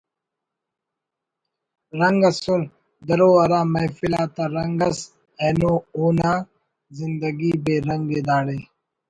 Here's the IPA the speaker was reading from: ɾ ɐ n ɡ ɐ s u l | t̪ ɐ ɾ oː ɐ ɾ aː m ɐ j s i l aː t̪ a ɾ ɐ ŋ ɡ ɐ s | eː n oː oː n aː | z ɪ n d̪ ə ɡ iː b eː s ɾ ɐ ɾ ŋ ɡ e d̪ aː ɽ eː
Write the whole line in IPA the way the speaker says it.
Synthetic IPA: ɾ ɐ ŋ ɡ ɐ s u l | d̪ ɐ ɾ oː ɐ ɾ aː m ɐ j f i l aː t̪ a ɾ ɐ ŋ ɡ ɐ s | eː n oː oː n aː | z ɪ n d̪ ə ɡ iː b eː ɾ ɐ ŋ ɡ e d̪ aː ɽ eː